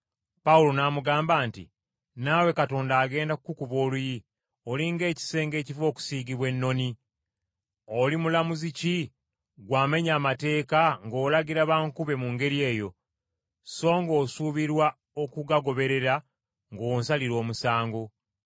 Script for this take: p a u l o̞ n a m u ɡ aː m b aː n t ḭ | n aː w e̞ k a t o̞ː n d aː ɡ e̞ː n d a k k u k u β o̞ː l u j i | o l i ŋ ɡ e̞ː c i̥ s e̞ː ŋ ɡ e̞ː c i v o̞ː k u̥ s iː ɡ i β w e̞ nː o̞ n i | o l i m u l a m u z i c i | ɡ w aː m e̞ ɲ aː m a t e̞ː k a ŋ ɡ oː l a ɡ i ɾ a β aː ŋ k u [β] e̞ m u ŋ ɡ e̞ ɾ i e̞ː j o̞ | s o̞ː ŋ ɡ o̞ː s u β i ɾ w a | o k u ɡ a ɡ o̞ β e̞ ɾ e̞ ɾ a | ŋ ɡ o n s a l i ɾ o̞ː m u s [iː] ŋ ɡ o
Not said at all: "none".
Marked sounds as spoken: β, aː

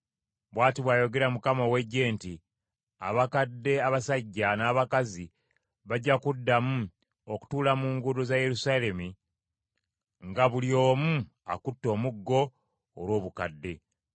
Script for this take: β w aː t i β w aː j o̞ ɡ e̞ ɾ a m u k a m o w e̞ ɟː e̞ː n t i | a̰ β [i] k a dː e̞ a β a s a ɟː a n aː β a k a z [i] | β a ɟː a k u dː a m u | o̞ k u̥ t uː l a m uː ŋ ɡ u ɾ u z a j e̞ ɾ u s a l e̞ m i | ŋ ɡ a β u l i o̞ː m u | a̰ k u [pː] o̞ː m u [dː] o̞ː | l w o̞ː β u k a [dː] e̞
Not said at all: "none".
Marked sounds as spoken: a, i, tː, ɡː, dː

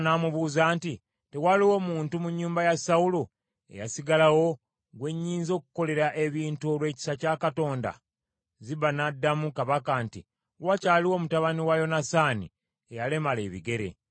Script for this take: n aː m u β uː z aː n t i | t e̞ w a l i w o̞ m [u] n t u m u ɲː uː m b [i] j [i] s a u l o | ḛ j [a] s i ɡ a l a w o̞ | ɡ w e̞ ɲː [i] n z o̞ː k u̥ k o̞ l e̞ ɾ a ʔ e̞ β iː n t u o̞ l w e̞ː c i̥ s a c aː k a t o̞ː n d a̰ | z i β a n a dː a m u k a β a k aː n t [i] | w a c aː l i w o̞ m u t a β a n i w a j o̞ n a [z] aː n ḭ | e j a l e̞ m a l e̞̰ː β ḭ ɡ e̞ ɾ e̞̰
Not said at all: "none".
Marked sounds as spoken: uː, a, a, a, iː, i, s

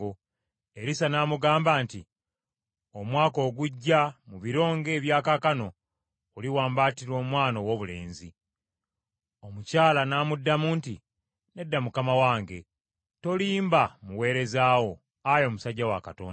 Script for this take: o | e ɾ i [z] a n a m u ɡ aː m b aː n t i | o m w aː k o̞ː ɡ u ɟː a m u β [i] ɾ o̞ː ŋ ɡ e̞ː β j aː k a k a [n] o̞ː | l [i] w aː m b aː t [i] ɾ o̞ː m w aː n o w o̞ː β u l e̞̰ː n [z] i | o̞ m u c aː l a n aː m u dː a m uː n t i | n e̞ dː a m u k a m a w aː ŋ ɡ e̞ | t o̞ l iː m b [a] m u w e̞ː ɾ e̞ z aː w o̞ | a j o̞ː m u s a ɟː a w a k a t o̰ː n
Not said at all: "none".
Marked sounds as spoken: s, i, n, i, i, z, a

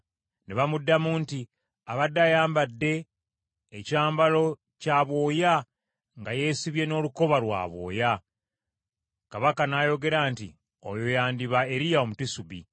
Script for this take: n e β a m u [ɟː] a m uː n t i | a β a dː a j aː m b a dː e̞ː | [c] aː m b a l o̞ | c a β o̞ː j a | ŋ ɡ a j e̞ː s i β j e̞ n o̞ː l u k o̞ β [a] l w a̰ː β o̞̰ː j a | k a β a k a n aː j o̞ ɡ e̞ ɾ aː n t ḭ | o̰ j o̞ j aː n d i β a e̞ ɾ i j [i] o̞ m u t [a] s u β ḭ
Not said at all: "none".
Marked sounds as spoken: dː, c, a, a, i

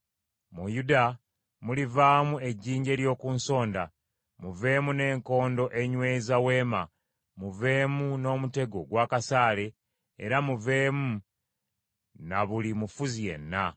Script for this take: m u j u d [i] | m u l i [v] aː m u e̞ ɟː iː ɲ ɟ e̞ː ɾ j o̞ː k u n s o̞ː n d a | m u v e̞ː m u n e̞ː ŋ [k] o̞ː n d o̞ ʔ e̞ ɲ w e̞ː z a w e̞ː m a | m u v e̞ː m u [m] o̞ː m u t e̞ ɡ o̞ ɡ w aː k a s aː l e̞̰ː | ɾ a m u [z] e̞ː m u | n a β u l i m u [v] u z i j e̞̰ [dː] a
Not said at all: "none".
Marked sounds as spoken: a, v, k, n, v, f, nː

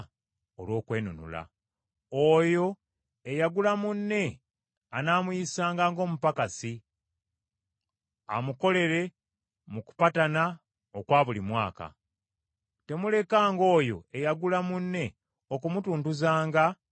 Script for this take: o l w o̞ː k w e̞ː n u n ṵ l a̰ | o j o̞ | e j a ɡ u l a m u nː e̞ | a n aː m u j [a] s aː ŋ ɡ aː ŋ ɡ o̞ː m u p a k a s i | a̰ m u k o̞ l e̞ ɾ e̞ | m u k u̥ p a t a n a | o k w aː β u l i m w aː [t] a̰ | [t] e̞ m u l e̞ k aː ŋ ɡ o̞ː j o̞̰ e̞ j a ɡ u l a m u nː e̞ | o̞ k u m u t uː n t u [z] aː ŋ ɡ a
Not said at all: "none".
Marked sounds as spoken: i, k, t, z

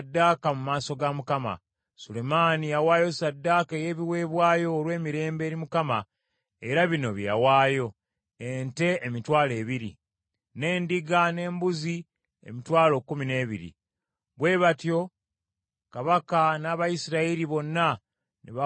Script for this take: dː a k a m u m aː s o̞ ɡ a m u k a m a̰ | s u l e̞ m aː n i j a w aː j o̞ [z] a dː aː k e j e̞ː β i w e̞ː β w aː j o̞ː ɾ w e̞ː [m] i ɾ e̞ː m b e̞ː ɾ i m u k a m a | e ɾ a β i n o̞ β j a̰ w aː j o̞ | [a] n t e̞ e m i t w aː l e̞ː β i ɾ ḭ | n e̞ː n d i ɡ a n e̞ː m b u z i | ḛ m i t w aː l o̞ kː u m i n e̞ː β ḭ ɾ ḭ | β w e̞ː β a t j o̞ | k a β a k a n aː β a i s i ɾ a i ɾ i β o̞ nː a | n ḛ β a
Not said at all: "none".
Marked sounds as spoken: s, m, e

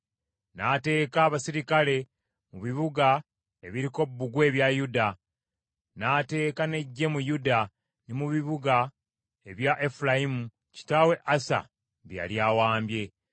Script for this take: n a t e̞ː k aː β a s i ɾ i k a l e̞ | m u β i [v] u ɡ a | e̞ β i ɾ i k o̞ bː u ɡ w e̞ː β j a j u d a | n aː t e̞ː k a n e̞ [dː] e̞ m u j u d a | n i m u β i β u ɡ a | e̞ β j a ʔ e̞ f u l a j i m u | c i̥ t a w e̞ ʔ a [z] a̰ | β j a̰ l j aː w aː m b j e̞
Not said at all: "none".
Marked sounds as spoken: β, ɟː, s

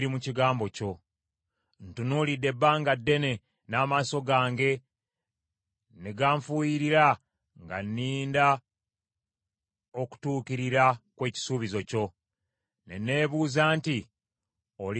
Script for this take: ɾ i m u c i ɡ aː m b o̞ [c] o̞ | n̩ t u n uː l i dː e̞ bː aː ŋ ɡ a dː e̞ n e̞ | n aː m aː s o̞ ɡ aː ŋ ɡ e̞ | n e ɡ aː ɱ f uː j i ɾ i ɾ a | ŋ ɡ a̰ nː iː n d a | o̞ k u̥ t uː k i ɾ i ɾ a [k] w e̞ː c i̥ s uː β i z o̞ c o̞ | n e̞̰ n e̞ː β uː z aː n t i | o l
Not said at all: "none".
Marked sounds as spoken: c, k

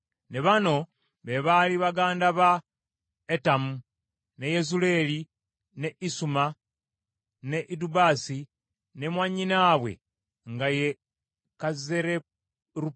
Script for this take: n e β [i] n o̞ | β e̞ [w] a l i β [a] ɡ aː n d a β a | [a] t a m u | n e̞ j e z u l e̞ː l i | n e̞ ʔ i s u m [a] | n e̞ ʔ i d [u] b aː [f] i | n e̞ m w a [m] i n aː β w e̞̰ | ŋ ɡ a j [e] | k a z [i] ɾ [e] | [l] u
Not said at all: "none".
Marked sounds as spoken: a, β, a, e, a, u, s, ɲ, e, e, e, ɾ

